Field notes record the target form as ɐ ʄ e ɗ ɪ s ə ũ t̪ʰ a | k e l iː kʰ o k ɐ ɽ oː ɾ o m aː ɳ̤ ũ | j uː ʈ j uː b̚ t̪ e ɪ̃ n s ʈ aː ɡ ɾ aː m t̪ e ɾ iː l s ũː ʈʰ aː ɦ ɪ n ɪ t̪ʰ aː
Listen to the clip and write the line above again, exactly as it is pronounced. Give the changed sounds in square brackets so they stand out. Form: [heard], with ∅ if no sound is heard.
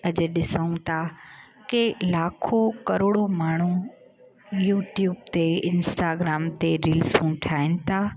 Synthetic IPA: ɐ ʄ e ɗ ɪ s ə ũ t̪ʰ a | k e l [aː] kʰ o k ɐ [ɾ] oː [ɽ] o m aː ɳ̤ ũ | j uː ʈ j uː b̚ t̪ e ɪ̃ n s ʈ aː ɡ ɾ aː m t̪ e ɾ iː l s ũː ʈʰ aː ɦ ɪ n ɪ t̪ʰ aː